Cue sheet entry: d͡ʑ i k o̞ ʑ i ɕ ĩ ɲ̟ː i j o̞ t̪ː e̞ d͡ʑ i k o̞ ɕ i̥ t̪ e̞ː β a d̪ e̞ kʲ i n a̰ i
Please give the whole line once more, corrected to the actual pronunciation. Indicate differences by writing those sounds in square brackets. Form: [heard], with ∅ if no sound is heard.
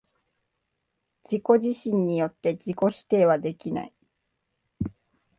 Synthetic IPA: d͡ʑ i k o̞ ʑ i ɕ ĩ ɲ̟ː i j o̞ t̪ː e̞ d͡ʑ i k o̞ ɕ i̥ t̪ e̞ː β a d̪ e̞ kʲ i n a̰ i